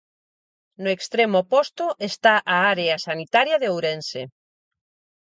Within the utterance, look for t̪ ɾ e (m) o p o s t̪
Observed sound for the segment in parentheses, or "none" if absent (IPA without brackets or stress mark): m